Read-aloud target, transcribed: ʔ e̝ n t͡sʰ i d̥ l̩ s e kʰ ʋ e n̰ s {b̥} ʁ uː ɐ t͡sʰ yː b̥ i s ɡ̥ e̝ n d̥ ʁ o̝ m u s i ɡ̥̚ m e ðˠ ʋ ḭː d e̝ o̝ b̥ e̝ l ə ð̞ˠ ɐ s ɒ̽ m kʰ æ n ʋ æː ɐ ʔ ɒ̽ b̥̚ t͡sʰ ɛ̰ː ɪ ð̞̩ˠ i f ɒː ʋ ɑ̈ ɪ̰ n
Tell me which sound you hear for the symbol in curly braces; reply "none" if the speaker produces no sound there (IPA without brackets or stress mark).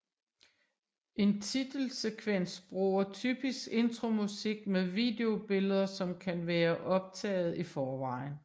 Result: b̥